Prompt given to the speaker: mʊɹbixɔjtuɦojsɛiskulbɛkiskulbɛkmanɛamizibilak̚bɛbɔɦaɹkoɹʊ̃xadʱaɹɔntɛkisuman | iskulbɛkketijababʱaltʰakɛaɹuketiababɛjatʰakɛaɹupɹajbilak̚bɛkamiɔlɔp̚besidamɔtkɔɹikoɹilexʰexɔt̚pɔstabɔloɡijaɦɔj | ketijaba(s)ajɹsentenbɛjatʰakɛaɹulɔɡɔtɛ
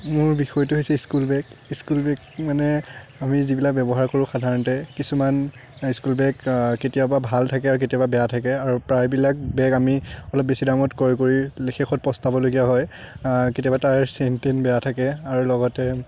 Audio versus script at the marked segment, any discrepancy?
yes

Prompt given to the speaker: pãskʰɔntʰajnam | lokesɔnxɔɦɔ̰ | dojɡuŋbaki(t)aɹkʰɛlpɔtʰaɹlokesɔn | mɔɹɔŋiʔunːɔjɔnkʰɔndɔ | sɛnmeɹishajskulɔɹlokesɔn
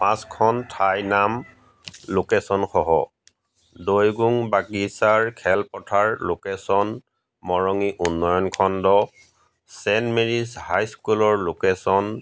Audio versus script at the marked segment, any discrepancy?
yes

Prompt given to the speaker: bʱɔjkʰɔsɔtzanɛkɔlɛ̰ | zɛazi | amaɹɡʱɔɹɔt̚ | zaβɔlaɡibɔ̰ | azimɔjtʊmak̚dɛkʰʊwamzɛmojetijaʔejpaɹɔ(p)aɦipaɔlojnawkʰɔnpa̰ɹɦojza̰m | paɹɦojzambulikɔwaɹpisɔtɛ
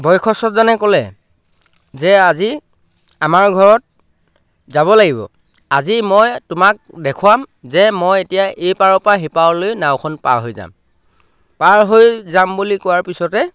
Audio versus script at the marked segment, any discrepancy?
no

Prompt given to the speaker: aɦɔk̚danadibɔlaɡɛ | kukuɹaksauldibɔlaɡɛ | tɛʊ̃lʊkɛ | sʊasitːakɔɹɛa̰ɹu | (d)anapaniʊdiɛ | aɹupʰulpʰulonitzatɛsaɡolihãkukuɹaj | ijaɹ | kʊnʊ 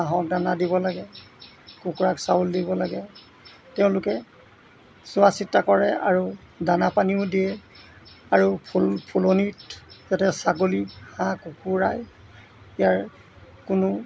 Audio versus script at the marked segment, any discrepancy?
no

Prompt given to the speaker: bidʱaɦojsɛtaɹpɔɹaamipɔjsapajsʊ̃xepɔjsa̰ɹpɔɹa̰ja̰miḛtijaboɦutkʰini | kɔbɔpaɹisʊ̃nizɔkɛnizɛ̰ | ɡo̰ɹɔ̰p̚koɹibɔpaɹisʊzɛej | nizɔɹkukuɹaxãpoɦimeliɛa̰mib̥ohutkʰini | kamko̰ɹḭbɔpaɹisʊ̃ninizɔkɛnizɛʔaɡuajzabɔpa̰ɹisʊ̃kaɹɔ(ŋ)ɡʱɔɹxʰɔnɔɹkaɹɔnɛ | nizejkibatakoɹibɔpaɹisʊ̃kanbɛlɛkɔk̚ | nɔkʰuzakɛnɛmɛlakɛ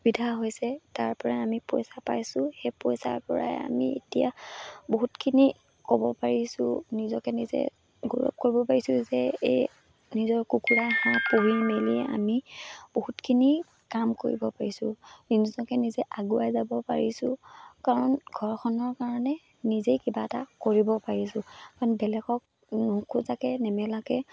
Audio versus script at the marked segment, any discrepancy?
yes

